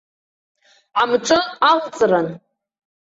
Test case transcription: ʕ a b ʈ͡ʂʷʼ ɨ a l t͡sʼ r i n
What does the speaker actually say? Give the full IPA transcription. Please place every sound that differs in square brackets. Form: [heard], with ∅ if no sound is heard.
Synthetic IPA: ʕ a [m] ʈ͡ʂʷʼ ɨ a l t͡sʼ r [a] n